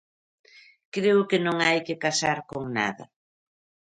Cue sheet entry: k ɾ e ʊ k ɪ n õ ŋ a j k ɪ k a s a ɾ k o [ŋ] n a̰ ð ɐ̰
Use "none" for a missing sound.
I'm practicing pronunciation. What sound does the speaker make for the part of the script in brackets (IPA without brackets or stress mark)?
ŋ